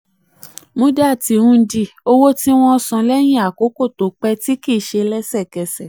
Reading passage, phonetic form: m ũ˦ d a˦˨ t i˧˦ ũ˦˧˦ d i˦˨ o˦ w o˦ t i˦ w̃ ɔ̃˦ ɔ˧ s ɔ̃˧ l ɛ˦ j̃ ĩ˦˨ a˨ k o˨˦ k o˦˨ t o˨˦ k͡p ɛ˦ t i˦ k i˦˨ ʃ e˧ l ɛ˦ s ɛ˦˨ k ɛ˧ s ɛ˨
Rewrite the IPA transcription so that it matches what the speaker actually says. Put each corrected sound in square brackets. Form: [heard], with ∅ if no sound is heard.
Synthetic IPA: m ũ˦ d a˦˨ t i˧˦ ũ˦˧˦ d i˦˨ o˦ w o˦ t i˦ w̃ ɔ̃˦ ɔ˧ s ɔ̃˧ l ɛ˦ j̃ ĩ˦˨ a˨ k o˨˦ k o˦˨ t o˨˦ k͡p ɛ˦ t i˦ k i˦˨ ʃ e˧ l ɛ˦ s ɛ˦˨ k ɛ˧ s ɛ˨